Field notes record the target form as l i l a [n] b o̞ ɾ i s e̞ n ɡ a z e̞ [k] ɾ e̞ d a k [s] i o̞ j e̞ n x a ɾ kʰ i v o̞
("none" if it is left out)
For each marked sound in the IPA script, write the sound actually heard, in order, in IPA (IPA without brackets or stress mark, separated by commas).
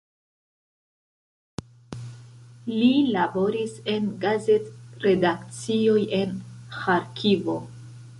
none, t, t͡s